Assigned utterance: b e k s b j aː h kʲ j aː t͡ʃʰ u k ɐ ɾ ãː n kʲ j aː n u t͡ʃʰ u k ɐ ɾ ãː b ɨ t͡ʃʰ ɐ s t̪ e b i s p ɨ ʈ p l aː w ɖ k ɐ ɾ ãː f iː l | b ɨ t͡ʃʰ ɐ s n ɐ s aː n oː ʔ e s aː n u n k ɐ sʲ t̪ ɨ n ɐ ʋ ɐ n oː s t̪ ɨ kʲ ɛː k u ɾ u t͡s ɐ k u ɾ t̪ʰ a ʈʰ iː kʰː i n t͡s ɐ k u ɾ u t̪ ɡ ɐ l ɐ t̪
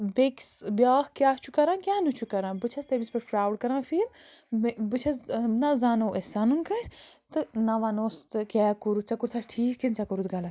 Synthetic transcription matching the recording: b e k s b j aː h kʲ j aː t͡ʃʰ u k ɐ ɾ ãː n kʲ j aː n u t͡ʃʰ u k ɐ ɾ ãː b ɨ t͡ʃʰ ɐ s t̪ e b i s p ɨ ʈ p ɾ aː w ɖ k ɐ ɾ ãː f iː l | b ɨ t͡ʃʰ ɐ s n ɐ z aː n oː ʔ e s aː n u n k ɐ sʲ t̪ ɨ n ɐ ʋ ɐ n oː s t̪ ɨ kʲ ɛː k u ɾ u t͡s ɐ k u ɾ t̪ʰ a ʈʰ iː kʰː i n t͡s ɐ k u ɾ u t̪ ɡ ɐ l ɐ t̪